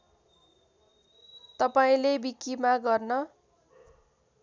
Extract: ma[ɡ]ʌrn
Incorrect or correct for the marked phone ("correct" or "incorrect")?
correct